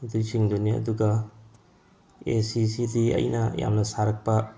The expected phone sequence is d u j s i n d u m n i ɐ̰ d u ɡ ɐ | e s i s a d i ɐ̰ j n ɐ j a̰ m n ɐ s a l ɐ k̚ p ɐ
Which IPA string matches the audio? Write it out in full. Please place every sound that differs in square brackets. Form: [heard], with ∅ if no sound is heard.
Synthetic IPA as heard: d u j s i [ŋ] d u [∅] n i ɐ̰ d u ɡ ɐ | e s i s [i] d i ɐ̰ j n ɐ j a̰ m n ɐ s a [ɾ] ɐ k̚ p ɐ